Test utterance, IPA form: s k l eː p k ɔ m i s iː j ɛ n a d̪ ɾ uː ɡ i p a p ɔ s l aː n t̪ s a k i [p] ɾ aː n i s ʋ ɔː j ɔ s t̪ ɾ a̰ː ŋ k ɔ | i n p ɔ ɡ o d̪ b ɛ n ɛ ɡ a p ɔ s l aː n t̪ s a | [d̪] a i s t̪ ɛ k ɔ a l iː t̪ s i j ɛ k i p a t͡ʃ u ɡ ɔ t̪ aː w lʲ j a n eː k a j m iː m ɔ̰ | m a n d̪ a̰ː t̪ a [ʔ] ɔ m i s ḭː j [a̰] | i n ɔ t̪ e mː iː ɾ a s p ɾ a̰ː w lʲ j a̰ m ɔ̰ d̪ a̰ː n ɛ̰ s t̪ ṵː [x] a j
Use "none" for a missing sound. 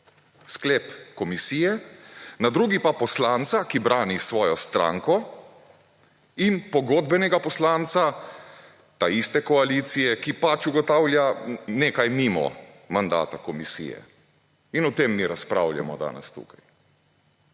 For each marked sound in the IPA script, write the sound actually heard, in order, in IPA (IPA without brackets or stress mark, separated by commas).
b, t̪, k, ɛ̰, k